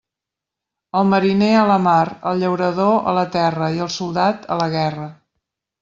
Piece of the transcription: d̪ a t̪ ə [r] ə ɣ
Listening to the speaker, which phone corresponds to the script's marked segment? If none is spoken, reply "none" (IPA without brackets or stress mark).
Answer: l